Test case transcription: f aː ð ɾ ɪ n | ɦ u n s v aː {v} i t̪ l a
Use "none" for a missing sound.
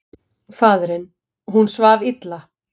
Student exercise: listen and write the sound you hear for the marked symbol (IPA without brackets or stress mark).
v